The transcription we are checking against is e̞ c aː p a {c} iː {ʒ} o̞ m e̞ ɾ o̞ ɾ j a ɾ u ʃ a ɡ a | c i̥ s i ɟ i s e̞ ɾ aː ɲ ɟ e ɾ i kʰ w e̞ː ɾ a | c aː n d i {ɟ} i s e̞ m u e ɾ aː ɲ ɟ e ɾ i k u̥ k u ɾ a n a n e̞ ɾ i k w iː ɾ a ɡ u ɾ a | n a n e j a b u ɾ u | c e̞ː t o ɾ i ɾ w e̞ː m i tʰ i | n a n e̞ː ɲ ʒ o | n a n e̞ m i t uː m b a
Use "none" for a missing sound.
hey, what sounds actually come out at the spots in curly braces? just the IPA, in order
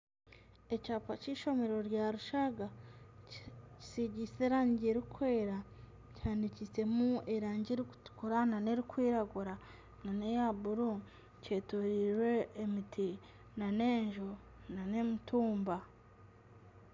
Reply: c, ʃ, c

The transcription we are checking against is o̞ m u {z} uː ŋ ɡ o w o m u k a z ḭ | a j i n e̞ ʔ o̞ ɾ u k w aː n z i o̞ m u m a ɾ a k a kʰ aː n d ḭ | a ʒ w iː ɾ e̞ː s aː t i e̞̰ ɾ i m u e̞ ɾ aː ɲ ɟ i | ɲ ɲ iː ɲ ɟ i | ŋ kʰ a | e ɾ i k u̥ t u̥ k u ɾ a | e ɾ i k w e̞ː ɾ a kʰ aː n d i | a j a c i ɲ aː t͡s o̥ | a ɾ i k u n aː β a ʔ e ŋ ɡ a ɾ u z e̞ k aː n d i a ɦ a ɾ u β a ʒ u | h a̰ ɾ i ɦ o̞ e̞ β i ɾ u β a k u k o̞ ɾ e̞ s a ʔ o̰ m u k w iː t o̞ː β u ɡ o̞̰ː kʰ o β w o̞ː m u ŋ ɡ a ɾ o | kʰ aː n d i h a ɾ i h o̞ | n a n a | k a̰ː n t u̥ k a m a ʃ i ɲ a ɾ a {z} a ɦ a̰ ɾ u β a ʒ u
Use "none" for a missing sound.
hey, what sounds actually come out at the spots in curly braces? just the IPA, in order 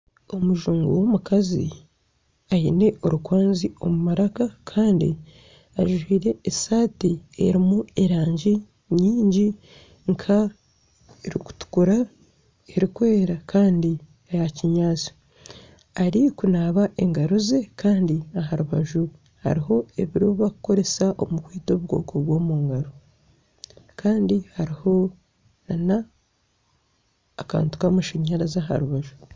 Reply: ʒ, z

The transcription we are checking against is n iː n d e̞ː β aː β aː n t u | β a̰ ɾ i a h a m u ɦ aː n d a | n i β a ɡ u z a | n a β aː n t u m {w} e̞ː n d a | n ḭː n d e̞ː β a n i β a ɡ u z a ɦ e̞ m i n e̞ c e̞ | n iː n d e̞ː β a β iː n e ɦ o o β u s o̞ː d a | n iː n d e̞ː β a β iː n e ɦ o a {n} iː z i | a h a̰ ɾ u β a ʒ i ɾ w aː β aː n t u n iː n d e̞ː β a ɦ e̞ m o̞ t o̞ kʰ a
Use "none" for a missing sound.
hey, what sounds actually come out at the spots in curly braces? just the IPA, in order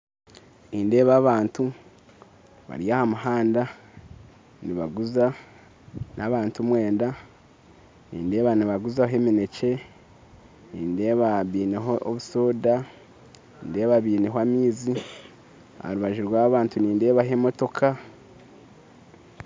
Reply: w, m

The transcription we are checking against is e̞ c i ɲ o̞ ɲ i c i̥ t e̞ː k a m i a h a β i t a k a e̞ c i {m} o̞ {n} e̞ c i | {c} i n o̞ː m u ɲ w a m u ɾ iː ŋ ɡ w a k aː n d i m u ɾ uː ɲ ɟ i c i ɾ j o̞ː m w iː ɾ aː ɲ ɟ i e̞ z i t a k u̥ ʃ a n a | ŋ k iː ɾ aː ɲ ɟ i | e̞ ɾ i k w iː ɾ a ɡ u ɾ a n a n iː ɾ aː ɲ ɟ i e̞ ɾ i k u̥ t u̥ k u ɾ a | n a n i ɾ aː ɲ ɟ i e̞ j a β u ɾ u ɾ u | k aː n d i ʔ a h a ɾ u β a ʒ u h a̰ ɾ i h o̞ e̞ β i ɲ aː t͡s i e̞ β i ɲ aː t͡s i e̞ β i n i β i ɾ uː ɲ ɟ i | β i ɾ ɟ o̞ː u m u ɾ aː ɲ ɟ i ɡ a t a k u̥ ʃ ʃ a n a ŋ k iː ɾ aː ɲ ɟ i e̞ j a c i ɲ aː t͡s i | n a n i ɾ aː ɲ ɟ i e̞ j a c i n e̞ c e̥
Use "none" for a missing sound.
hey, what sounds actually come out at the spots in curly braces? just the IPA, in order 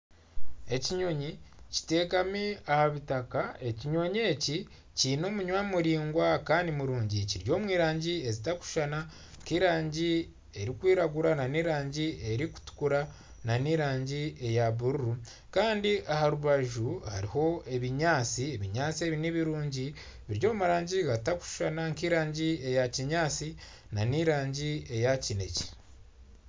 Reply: ɲ, ɲ, c

